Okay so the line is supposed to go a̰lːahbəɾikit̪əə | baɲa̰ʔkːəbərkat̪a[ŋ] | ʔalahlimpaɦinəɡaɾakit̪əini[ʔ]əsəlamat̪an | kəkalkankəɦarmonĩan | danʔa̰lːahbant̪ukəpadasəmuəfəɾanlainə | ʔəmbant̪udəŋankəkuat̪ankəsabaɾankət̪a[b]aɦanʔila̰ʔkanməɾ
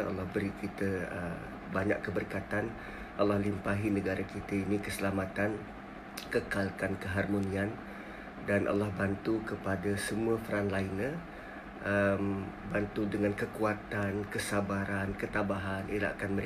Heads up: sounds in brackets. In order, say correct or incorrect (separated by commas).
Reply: incorrect, incorrect, correct